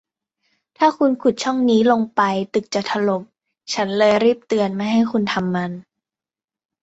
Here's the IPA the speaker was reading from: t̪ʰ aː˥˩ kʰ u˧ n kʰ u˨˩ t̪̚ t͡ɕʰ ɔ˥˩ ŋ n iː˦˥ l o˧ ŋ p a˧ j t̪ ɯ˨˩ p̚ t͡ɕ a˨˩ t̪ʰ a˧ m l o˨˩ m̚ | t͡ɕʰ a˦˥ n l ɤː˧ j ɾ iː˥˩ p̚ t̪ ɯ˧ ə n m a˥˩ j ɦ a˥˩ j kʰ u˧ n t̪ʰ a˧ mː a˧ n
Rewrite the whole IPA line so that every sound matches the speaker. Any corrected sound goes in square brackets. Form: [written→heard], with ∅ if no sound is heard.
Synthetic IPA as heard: t̪ʰ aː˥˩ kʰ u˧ n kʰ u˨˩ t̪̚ t͡ɕʰ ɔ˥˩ ŋ n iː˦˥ l o˧ ŋ p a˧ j t̪ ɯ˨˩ [p̚→k̚] t͡ɕ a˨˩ t̪ʰ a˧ [m→∅] l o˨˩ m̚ | t͡ɕʰ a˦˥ n l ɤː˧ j ɾ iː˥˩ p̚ t̪ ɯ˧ ə n m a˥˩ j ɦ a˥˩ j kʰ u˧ n t̪ʰ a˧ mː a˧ n